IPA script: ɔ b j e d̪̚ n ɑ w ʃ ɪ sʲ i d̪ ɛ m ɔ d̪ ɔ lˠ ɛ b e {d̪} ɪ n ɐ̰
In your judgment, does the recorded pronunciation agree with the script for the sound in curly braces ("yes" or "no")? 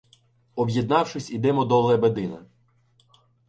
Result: yes